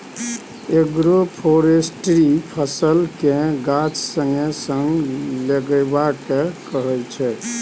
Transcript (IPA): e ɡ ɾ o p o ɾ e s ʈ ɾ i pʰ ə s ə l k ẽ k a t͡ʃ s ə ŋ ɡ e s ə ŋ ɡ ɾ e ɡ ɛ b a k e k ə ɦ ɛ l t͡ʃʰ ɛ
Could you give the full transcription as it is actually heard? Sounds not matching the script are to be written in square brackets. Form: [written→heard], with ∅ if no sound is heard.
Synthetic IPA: e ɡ ɾ o [p→pʰ] o ɾ e s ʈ ɾ i pʰ ə s ə l k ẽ [k→ɡ] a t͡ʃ s ə ŋ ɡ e s ə ŋ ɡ [ɾ→l] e ɡ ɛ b a k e k ə ɦ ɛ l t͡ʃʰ ɛ